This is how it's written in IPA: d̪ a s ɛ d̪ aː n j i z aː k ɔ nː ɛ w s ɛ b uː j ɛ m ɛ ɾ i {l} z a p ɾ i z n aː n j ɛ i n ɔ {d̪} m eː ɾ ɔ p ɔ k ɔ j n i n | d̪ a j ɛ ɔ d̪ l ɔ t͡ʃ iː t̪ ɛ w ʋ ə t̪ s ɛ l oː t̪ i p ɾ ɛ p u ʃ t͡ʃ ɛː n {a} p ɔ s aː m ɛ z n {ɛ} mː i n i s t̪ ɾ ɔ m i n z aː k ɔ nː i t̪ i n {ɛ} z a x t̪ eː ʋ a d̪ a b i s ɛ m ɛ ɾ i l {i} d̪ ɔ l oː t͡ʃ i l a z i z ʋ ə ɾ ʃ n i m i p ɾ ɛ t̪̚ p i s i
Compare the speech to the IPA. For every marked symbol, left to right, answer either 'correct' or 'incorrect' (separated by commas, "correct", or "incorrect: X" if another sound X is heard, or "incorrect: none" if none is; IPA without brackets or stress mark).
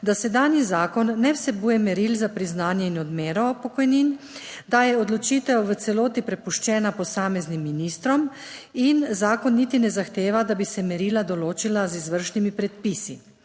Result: correct, correct, correct, incorrect: i, correct, incorrect: a